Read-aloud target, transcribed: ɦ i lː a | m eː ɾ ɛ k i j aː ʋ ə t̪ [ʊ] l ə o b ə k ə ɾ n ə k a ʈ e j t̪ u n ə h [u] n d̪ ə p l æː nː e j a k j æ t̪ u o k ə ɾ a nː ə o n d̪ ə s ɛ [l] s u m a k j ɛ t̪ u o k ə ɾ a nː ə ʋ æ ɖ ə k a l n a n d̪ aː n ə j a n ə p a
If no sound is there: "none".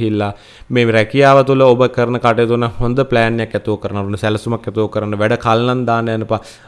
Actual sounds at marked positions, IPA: u, o, l

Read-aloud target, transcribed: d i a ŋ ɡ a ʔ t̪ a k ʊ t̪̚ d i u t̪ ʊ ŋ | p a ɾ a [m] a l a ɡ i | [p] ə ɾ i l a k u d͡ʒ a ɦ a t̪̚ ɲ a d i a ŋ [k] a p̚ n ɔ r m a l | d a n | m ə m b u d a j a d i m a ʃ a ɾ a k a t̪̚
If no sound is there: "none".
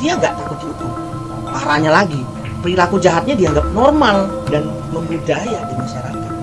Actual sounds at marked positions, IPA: ɲ, p, ɡ

